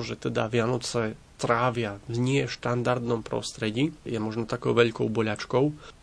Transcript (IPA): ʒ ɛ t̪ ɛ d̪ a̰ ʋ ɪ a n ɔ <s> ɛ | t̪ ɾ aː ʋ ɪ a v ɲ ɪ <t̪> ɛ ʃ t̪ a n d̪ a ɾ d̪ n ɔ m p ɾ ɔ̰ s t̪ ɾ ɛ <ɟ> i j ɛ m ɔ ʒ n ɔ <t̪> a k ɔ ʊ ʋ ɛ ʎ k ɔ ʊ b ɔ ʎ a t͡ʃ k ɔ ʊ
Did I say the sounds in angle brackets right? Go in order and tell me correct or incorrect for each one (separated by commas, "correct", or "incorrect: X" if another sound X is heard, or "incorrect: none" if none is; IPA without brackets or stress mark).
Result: incorrect: t͡s, incorrect: none, correct, correct